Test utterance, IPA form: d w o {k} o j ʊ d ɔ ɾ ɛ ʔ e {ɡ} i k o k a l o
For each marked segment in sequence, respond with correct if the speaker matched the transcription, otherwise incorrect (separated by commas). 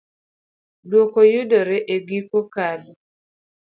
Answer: correct, correct